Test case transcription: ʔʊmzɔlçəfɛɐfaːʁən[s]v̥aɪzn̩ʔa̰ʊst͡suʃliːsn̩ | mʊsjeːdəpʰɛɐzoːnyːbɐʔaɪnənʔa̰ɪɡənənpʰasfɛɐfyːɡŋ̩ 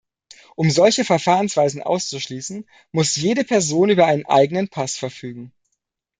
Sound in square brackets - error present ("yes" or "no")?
no